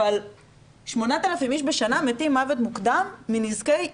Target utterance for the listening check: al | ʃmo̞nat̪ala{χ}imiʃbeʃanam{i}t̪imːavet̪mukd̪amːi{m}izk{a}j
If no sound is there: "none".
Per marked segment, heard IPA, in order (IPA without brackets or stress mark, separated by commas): f, e, n, e